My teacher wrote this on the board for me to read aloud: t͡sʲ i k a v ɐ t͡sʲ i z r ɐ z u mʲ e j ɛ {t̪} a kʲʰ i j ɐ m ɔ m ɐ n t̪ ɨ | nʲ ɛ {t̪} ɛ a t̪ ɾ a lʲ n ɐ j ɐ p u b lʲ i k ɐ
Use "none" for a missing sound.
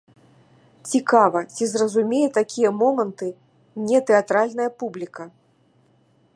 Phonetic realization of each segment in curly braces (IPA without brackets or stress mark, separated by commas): t̪, t̪